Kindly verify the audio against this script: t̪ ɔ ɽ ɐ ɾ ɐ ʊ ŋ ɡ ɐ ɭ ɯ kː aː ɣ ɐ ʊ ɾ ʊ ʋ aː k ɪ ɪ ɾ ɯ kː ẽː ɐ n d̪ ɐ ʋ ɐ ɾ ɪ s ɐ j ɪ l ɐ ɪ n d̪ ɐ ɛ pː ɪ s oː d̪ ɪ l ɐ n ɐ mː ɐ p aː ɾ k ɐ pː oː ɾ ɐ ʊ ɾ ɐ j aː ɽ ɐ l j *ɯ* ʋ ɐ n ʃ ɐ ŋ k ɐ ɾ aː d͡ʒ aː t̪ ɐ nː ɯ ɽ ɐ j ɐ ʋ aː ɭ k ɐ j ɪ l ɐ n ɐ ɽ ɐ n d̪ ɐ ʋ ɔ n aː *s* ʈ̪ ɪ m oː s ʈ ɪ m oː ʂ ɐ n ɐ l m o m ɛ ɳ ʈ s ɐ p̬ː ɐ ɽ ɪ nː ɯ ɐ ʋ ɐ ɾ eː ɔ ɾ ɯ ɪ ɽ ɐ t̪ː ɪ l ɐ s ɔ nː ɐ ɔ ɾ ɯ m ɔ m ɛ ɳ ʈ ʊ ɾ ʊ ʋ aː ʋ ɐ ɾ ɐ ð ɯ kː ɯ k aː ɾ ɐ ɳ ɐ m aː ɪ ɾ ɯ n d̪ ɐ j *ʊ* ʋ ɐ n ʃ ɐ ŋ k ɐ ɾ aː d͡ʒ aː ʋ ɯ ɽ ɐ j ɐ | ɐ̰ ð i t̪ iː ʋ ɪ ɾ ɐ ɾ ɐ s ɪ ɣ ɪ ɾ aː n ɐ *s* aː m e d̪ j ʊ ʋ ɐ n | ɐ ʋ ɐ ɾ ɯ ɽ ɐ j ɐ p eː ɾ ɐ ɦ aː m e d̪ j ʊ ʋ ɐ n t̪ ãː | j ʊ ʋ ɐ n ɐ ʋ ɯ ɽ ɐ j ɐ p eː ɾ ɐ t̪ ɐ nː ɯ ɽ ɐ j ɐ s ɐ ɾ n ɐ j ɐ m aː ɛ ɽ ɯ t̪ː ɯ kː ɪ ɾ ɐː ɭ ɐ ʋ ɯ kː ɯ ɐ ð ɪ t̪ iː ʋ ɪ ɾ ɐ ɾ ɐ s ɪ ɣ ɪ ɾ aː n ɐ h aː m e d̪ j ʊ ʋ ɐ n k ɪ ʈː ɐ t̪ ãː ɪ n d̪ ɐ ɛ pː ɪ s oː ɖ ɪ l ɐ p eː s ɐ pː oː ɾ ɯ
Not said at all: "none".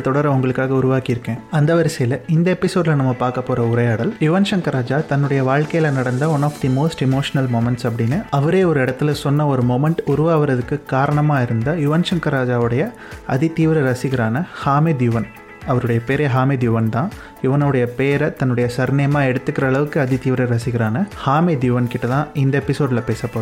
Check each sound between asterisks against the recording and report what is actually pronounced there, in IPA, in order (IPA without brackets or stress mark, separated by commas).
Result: ʊ, f, ʊ, h